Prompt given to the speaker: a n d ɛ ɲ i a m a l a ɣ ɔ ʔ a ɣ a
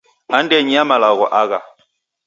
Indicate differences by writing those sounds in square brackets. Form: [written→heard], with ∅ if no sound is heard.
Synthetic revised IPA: a n d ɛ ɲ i a m a l a ɣ ɔ ʔ a ɣ a